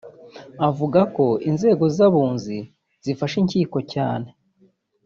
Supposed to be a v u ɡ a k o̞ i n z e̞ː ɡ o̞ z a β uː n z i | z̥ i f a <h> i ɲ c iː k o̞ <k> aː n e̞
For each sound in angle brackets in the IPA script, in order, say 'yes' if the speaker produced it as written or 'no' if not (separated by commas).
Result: no, no